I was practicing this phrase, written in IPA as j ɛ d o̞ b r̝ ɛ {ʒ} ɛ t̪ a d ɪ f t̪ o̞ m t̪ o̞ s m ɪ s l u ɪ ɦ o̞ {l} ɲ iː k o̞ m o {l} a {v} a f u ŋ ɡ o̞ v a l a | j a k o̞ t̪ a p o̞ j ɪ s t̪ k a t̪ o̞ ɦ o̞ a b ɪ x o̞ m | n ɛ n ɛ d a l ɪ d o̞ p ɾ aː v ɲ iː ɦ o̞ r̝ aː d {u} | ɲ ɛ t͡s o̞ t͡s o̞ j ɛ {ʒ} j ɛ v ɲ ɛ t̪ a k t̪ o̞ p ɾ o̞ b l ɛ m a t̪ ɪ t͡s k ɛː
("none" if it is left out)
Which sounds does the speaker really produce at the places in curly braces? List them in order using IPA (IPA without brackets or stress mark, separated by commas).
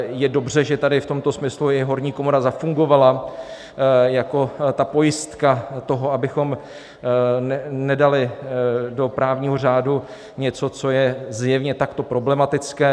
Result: ʒ, ɾ, ɾ, z, u, z